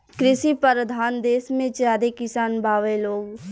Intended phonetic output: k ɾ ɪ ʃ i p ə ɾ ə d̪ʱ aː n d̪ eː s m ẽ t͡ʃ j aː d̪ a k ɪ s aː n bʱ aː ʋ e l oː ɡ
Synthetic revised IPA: k ɾ ɪ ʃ i p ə ɾ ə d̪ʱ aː n d̪ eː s m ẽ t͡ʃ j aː d̪ e k ɪ s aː n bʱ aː ʋ e l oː ɡ